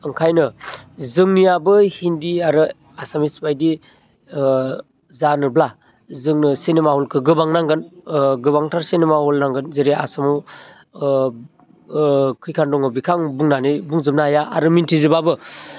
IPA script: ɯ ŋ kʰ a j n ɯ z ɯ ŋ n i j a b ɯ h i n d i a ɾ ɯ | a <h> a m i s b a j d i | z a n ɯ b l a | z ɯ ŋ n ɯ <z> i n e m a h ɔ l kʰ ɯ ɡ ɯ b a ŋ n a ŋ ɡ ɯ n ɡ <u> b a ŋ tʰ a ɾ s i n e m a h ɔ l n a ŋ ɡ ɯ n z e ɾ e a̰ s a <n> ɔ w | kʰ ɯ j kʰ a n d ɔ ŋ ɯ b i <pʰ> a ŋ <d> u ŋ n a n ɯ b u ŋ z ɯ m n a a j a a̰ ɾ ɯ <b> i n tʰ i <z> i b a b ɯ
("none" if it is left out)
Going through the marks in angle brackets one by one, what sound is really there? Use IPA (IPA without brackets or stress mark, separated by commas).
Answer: s, s, ɯ, m, kʰ, b, m, z